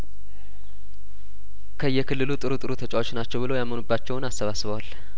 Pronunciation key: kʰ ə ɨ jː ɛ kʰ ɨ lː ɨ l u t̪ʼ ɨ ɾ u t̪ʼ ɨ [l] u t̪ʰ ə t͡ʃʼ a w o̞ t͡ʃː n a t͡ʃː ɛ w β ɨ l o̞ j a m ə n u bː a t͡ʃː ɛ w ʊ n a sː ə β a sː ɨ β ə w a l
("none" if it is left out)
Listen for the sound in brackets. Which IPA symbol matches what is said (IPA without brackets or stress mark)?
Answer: ɾ